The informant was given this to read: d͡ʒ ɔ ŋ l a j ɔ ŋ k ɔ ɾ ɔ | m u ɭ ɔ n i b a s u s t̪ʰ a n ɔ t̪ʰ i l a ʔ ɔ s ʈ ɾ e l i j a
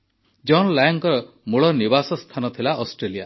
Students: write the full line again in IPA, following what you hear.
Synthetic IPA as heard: d͡ʒ ɔ n l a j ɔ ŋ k ɔ ɾ ɔ | m u ɭ ɔ n i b a s ɔ s t̪ʰ a n ɔ t̪ʰ i l a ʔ ɔ s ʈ ɾ e l i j a